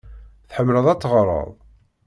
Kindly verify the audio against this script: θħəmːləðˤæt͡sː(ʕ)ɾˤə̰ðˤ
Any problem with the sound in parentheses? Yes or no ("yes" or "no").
yes